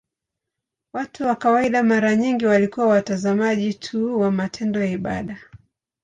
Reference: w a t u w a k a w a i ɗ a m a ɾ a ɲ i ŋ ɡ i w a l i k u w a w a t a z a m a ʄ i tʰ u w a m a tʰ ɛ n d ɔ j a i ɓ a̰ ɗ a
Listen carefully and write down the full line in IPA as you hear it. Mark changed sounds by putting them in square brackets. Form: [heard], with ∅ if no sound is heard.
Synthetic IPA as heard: w a t u w a k a w a i ɗ a m a ɾ a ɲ i ŋ ɡ i w a l i k u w a w a t a z a m a ʄ i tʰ u w a m a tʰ ɛ n d ɔ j a i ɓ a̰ ɗ a